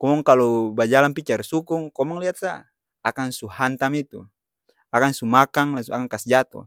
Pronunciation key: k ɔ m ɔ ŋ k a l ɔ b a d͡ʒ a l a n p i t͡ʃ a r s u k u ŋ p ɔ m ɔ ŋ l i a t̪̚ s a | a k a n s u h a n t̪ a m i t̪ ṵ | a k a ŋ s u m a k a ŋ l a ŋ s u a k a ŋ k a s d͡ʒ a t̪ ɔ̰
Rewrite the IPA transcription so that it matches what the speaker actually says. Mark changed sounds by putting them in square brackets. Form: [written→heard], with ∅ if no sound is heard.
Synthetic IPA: k ɔ m ɔ ŋ k a l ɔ b a d͡ʒ a l a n p i t͡ʃ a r s u k u ŋ [p→k] ɔ m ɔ ŋ l i a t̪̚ s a | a k a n s u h a n t̪ a m i t̪ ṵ | a k a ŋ s u m a k a ŋ l a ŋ s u a k a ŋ k a s d͡ʒ a t̪ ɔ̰